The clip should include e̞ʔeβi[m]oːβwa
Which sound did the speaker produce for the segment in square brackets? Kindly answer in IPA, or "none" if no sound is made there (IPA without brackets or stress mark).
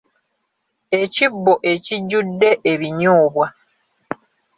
ɲ